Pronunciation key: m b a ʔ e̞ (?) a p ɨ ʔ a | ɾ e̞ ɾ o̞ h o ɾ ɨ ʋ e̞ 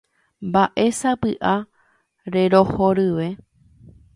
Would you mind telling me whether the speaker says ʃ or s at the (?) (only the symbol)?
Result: s